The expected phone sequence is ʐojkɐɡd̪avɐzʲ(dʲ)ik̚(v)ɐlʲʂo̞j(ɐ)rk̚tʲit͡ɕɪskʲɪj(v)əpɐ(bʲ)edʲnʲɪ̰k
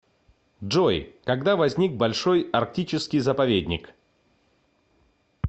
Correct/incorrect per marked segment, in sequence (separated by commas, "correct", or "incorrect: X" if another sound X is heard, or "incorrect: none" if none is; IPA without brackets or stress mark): incorrect: nʲ, incorrect: b, correct, incorrect: z, incorrect: vʲ